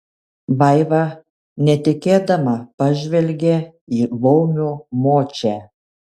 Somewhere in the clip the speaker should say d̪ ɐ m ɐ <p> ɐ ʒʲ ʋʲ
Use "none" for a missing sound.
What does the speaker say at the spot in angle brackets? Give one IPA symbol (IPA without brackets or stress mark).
p